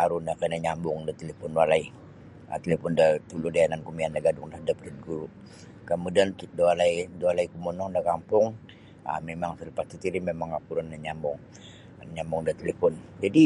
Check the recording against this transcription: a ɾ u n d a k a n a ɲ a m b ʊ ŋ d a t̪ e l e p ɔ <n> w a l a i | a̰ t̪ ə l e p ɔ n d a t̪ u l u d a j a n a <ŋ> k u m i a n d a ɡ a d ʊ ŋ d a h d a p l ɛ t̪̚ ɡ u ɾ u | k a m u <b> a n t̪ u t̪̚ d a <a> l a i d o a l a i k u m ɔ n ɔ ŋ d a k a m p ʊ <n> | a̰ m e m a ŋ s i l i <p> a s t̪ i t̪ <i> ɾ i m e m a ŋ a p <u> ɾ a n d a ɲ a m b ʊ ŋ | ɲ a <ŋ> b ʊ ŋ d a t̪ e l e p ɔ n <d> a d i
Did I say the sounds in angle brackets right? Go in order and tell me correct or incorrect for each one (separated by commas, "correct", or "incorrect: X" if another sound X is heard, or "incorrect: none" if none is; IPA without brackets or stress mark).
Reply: correct, incorrect: n, incorrect: d, correct, incorrect: ŋ, correct, correct, correct, incorrect: m, incorrect: d͡ʒ